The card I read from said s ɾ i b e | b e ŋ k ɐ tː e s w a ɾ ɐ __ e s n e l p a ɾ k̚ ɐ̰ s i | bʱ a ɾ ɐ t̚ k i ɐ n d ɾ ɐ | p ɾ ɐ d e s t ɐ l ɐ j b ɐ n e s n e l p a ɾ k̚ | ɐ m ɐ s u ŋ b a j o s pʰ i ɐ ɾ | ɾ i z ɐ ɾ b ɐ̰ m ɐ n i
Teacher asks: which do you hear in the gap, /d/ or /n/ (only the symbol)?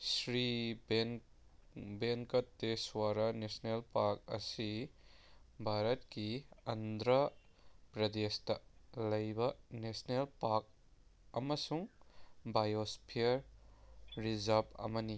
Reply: n